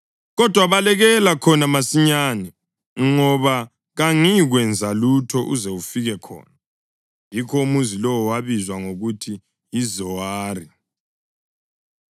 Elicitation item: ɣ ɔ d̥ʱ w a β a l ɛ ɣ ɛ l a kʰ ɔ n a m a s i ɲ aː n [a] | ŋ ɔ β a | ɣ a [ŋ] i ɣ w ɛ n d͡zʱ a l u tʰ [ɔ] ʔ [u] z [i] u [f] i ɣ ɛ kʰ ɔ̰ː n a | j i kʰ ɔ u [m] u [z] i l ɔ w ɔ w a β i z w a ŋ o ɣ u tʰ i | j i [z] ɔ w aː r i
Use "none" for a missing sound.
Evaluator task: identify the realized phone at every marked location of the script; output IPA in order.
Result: ɛ, ŋ, ɔ, u, e, f, m, z, z

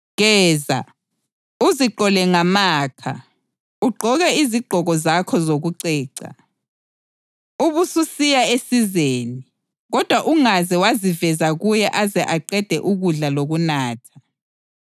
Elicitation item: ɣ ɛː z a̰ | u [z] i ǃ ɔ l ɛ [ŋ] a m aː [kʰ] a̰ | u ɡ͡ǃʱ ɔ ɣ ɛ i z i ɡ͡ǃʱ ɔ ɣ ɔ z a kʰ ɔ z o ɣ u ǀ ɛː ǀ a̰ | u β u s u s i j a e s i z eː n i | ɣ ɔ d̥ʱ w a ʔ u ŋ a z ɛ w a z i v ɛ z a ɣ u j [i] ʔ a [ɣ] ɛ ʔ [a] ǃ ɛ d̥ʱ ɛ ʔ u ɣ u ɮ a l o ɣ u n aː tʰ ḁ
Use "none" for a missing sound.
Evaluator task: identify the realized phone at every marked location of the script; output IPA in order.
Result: z, ŋ, kʰ, ɛ, z, a

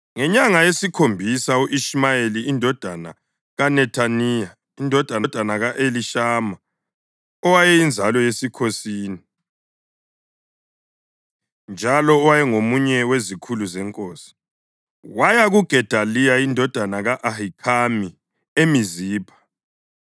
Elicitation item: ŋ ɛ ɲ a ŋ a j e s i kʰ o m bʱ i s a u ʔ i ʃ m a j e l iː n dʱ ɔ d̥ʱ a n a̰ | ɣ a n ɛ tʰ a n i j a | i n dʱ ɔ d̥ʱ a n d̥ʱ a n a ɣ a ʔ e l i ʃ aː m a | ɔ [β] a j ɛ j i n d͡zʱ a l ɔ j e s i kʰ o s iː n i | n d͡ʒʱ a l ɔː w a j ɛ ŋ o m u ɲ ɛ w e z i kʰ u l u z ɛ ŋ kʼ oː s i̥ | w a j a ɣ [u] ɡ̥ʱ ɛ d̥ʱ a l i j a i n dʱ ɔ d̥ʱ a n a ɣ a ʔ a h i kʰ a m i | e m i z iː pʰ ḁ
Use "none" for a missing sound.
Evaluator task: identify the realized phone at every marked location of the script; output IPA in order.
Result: w, u

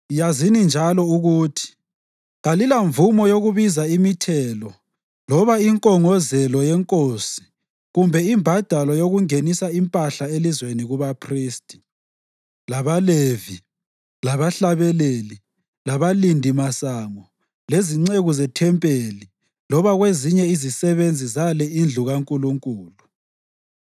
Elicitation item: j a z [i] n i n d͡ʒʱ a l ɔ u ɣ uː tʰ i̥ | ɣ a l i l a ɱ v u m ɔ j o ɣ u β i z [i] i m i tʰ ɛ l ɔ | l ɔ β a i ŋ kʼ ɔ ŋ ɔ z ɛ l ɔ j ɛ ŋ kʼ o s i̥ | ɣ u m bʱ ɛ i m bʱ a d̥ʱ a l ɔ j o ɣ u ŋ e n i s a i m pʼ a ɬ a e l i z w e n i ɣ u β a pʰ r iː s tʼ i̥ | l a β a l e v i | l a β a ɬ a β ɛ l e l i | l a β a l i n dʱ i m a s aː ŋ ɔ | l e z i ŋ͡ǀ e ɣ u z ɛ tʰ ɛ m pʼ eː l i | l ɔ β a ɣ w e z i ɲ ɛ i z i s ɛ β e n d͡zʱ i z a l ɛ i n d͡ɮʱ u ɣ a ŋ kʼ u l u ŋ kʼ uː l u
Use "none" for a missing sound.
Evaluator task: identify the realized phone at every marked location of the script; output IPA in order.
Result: i, a

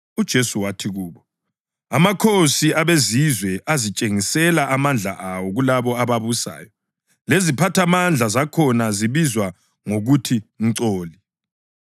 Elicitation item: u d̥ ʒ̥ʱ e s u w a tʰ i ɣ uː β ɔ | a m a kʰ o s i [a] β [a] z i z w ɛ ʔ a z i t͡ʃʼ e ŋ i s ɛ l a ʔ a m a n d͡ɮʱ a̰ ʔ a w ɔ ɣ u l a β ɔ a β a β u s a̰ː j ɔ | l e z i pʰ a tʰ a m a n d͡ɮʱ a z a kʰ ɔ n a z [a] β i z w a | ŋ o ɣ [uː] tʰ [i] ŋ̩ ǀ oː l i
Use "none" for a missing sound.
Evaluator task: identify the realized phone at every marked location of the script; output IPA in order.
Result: a, e, i, u, i

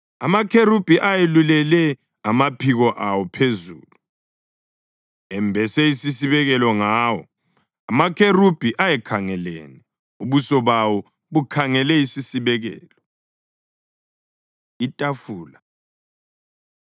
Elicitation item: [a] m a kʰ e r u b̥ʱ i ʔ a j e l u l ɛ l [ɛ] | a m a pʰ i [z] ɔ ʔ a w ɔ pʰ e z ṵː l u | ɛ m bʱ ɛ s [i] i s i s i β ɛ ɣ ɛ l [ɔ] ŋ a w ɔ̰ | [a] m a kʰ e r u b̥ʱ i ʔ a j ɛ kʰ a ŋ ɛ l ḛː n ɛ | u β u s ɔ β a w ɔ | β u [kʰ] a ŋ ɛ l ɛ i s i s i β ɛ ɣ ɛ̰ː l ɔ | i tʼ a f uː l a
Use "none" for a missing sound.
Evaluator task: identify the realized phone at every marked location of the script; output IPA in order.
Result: a, ɛ, ɣ, ɛ, ɔ, a, kʰ

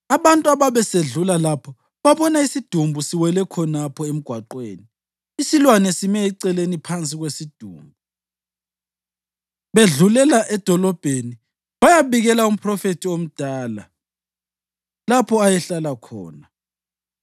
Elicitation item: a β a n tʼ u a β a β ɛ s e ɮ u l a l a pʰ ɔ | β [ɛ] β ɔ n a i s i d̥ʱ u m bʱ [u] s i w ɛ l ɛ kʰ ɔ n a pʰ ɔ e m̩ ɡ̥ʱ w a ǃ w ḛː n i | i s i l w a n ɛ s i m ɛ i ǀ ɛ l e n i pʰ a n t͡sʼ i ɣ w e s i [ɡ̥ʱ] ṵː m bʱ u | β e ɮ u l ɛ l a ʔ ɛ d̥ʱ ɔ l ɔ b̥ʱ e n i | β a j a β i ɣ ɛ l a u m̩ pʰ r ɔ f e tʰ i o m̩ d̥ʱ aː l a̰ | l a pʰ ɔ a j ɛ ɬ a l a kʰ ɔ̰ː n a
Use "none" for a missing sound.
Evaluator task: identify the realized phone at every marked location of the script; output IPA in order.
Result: a, u, d̥ʱ

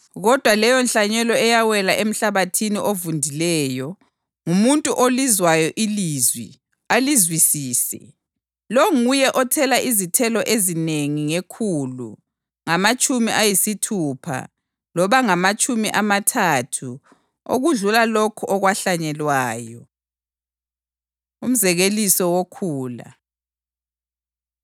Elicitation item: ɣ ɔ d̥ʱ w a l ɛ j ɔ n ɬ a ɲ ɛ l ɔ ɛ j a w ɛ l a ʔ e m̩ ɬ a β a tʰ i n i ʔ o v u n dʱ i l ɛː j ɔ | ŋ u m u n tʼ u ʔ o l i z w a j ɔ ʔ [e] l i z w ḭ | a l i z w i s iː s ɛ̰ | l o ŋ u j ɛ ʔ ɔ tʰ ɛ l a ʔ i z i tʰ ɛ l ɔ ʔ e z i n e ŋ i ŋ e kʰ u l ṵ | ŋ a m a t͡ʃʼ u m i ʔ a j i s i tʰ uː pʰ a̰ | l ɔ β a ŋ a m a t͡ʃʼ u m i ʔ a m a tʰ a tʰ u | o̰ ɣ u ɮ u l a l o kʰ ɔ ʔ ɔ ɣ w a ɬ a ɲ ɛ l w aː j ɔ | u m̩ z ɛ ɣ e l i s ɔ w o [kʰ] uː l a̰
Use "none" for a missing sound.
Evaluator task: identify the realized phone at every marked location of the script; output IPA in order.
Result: i, kʰ

